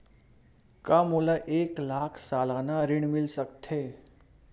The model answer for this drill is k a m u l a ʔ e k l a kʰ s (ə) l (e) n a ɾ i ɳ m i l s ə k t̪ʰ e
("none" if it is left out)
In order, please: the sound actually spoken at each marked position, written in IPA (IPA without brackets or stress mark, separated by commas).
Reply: a, a